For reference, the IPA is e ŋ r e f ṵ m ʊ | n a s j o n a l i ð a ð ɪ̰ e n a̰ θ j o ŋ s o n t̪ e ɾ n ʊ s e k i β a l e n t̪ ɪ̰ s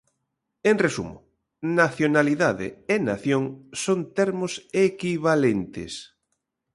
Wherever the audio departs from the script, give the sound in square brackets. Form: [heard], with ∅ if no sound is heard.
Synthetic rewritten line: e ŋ r e [s] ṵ m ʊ | n a [θ] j o n a l i ð a ð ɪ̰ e n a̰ θ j o ŋ s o n t̪ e ɾ [m] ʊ s e k i β a l e n t̪ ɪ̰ s